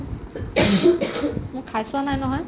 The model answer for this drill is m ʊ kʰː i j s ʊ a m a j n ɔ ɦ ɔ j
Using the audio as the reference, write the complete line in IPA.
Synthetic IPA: m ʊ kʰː a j s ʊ a n a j n ɔ ɦ ɔ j